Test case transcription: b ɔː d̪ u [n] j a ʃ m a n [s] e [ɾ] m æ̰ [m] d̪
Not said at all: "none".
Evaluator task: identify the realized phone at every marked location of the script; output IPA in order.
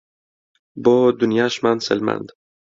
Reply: n, s, l, n

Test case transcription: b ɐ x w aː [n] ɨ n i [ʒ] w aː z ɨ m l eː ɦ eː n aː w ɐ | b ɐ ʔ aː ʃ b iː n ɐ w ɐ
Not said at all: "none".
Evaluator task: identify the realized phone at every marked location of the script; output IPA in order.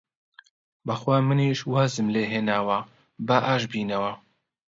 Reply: m, ʃ

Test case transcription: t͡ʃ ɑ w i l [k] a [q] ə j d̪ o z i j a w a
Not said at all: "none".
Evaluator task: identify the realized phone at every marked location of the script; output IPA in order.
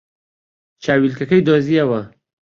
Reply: k, k

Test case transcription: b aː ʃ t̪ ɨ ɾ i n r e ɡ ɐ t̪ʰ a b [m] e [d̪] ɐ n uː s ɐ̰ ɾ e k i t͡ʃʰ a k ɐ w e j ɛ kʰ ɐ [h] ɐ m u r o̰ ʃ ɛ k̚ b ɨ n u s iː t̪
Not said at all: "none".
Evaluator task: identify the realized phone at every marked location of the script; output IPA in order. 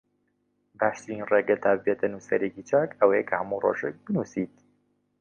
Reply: b, t̪, h

